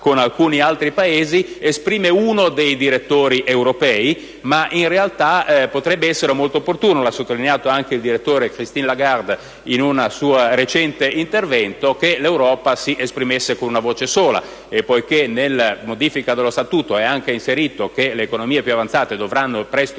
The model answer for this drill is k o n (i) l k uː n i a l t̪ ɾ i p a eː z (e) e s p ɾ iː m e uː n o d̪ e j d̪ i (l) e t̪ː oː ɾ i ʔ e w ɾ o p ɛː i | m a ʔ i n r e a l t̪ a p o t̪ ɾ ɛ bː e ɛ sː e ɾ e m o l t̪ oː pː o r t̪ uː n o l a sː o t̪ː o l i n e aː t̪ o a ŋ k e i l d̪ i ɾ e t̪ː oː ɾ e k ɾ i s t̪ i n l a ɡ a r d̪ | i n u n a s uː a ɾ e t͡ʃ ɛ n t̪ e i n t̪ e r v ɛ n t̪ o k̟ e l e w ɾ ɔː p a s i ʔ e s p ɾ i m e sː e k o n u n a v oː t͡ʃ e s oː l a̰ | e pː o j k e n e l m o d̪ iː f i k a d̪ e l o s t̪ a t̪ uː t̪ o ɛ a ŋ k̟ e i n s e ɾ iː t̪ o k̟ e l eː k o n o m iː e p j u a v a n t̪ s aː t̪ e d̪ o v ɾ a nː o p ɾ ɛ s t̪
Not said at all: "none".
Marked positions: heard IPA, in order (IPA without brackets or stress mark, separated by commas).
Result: a, i, ɾ